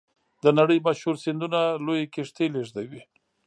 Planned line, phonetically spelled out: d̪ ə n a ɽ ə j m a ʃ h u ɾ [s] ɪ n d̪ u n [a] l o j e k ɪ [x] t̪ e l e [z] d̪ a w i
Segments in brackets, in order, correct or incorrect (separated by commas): correct, correct, incorrect, incorrect